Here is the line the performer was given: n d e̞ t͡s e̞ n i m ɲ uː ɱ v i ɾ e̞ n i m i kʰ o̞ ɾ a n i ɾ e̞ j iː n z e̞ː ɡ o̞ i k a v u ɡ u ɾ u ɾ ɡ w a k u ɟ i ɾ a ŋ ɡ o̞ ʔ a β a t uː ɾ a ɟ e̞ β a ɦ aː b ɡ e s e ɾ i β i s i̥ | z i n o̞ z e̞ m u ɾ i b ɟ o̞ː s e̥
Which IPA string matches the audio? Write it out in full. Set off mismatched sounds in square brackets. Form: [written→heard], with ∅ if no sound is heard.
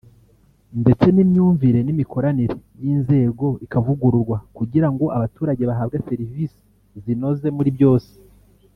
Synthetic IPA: n d e̞ t͡s e̞ n i m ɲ uː ɱ v i ɾ e̞ n i m i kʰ o̞ ɾ a n i ɾ e̞ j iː n z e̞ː ɡ o̞ i k a v u ɡ u ɾ u ɾ ɡ w a k u ɟ i ɾ a ŋ ɡ o̞ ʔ a β a t uː ɾ a ɟ e̞ β a ɦ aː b ɡ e s e ɾ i [β→v] i s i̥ | z i n o̞ z e̞ m u ɾ i b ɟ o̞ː s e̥

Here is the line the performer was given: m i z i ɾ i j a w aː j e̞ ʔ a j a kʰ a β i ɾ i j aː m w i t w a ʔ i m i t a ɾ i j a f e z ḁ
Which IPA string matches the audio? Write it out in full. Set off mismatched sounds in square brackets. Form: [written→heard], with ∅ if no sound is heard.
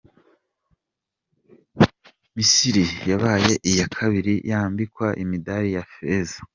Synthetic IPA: m i [z→s] i ɾ i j a [w→β] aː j e̞ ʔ [a→i] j a kʰ a β i ɾ i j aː m [w→b] i [t→k] w a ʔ i m i [t→d] a ɾ i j a f e z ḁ

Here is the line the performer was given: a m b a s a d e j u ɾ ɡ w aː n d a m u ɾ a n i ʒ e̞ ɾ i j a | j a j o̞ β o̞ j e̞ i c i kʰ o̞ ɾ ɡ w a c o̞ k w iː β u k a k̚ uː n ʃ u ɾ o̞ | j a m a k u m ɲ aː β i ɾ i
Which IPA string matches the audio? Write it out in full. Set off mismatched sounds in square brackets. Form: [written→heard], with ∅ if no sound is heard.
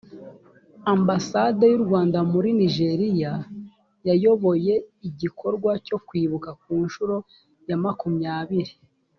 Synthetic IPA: a m b a s a d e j u ɾ ɡ w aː n d a m u ɾ [a→i] n i ʒ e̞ ɾ i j a | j a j o̞ β o̞ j e̞ i [c→ɟ] i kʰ o̞ ɾ ɡ w a c o̞ k w iː β u k a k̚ uː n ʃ u ɾ o̞ | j a m a k u m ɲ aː β i ɾ i

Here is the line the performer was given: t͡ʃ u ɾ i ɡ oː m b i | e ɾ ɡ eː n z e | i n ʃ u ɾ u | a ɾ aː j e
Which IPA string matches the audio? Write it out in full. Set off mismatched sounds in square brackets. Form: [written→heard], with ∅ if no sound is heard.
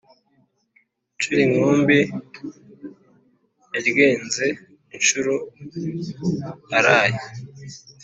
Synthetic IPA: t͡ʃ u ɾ i [ɡ→ŋ] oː m b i | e ɾ ɡ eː n z e | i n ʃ u ɾ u | a ɾ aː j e

